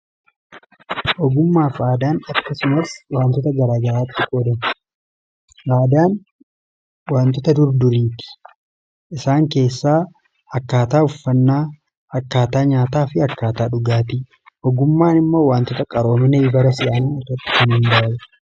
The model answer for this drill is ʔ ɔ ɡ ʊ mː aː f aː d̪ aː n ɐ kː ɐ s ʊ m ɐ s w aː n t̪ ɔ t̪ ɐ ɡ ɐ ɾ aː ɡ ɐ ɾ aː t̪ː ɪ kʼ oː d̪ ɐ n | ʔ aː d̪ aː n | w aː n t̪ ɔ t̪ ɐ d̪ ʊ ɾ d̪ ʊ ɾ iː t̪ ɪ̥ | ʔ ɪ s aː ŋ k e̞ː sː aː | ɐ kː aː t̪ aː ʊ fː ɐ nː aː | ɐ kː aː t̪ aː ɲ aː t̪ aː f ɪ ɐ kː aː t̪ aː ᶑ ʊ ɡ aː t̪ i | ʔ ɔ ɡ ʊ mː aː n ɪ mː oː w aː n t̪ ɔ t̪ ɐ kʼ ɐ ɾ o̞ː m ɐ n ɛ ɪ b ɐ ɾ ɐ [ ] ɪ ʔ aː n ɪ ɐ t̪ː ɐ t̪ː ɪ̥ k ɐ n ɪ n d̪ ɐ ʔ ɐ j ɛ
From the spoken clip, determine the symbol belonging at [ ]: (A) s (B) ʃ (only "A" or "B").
A